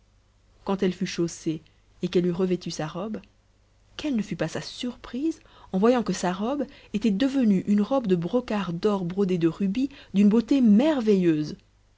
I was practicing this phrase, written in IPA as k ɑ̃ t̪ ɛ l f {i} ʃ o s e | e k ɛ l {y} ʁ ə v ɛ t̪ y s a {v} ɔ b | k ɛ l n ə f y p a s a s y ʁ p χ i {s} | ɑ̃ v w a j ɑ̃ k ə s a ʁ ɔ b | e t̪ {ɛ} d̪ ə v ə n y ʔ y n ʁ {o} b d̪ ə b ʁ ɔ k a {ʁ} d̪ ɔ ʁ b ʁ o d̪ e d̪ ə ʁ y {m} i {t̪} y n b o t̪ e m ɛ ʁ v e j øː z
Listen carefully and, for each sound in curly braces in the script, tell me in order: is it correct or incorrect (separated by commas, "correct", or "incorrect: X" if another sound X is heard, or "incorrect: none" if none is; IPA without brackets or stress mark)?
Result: incorrect: y, correct, incorrect: ʁ, incorrect: z, correct, incorrect: ɔ, correct, incorrect: b, incorrect: d̪